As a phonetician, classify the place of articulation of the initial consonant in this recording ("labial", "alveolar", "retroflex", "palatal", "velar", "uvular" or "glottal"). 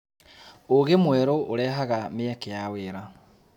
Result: velar